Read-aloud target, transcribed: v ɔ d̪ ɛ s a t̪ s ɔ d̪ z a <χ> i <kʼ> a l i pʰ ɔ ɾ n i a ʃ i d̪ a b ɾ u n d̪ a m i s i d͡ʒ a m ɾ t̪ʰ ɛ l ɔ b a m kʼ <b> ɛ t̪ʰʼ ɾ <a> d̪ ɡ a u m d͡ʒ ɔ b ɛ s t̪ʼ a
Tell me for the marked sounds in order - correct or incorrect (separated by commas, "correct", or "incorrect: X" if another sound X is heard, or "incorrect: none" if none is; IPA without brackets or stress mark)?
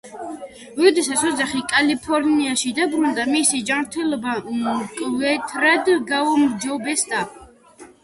correct, correct, incorrect: v, correct